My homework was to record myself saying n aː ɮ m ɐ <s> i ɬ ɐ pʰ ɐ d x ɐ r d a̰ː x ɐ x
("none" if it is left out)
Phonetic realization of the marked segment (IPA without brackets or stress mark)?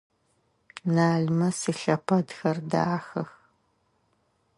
s